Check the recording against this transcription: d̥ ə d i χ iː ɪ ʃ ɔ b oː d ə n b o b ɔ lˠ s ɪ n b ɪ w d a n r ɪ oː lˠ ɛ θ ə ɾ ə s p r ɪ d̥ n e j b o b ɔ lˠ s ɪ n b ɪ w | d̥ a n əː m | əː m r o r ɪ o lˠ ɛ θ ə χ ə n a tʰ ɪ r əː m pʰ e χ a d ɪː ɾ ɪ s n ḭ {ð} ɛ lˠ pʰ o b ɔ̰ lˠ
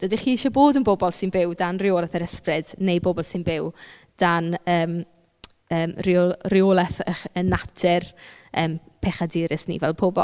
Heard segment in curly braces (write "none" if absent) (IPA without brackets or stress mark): v